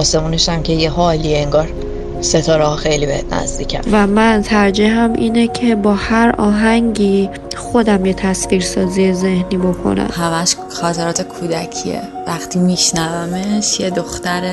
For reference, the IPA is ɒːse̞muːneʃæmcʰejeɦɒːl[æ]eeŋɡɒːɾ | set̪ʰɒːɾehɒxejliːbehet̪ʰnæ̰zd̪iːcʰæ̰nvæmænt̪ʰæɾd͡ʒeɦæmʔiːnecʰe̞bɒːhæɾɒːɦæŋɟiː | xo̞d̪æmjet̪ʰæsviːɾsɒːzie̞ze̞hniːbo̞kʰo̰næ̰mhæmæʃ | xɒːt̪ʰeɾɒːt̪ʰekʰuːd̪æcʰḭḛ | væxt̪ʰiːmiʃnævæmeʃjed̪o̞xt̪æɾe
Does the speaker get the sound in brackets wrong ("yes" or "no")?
yes